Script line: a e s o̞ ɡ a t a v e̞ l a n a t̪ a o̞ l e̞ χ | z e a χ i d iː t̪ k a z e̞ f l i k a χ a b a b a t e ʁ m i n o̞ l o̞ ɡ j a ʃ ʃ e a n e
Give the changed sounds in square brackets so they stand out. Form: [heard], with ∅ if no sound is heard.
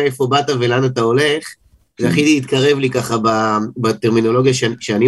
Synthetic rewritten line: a e [f] o̞ [b] a t a v e̞ l a n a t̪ a o̞ l e̞ χ | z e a χ i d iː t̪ k a [ʁ] e̞ [v] l i k a χ a b a b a t e ʁ m i n o̞ l o̞ ɡ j a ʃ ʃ e a n [i]